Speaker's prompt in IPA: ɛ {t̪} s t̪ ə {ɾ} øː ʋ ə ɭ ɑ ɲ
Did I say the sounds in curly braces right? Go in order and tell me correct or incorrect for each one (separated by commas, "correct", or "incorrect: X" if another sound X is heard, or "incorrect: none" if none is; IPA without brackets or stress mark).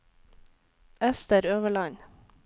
incorrect: none, correct